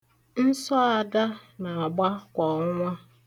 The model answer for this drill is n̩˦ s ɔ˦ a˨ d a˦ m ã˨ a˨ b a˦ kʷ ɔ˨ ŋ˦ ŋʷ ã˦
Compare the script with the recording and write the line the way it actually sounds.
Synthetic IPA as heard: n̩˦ s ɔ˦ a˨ d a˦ n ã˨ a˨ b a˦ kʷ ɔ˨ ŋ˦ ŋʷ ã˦